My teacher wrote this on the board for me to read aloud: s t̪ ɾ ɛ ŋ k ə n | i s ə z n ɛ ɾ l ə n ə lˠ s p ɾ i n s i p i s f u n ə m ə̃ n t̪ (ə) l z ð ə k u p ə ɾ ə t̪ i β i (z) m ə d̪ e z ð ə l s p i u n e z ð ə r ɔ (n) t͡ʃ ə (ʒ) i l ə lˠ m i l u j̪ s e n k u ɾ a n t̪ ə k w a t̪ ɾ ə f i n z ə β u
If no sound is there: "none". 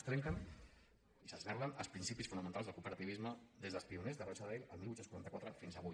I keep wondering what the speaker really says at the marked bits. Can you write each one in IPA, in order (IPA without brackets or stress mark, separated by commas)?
a, z, none, ð